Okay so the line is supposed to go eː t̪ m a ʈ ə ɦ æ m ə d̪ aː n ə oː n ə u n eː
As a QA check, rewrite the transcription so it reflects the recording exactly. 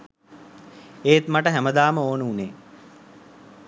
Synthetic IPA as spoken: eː t̪ m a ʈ ə ɦ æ m ə d̪ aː m ə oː n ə u n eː

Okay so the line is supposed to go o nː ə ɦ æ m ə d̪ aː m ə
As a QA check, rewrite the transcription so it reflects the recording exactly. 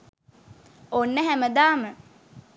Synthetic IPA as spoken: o nː ə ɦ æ m ə d̪ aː m ə

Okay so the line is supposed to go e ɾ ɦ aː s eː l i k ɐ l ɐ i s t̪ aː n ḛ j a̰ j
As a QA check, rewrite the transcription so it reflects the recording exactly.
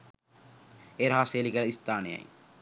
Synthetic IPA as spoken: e ɾ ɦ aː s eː l i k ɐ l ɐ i s t̪ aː n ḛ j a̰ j

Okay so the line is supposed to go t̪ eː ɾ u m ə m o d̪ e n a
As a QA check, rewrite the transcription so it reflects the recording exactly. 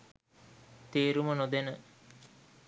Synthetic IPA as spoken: t̪ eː ɾ u m ə n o d̪ e n ə

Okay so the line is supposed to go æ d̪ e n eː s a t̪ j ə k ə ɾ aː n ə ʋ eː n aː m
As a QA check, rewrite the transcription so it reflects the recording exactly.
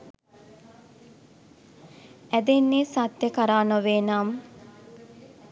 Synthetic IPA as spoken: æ d̪ e nː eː s a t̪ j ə k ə ɾ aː n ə ʋ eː n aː m

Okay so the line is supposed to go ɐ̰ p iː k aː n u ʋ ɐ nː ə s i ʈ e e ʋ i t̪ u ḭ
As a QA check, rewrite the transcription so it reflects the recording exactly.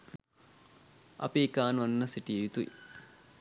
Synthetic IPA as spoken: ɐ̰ p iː k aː n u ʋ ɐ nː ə s i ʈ i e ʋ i t̪ u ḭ

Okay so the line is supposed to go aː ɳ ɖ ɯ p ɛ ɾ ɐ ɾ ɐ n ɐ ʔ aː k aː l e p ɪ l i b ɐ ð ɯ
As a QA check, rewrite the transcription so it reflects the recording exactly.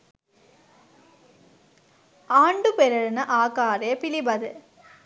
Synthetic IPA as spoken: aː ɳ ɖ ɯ p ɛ ɾ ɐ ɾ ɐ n ɐ ʔ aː k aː ɾ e p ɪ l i b ɐ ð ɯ

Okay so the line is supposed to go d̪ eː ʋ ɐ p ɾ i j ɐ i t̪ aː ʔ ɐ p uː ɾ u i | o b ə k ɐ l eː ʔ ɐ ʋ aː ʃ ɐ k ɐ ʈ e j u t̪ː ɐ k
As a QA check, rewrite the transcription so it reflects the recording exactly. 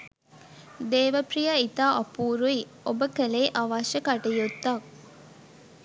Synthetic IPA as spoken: d̪ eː ʋ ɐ p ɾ i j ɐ i t̪ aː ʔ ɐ p uː ɾ u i | o b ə k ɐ l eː ʔ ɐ ʋ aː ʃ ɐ k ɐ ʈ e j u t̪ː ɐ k

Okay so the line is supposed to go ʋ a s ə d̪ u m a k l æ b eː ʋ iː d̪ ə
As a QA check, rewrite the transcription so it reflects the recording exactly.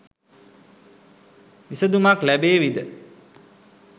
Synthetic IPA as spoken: ʋ i s ə d̪ u m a k l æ b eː ʋ i d̪ ə

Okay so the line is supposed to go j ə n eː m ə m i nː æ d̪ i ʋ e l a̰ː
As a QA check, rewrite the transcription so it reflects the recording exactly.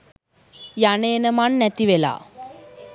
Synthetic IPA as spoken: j a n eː n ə m a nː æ t̪ i ʋ e l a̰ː

